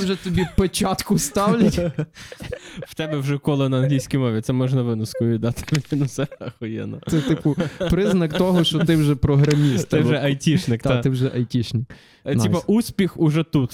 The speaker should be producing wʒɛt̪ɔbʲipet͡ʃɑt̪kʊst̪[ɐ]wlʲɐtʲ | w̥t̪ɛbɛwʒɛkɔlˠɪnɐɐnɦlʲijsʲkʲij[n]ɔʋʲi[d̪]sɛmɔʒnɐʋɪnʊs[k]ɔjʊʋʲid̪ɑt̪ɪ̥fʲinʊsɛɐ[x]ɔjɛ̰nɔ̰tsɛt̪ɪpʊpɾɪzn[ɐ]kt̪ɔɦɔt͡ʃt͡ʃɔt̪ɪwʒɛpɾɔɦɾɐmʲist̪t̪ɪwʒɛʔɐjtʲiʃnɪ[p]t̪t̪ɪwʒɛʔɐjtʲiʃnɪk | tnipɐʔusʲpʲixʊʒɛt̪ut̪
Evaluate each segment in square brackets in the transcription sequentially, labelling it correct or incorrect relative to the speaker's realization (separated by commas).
incorrect, incorrect, incorrect, correct, correct, correct, incorrect